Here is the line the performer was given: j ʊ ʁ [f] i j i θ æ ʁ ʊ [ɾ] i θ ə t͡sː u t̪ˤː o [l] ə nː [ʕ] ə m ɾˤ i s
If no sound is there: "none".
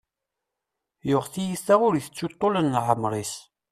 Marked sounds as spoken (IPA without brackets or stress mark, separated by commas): θ, ɾ, l, ʕ